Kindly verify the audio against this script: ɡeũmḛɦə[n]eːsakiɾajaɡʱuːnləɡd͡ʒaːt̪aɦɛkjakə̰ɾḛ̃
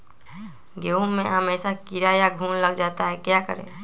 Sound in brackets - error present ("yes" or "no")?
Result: yes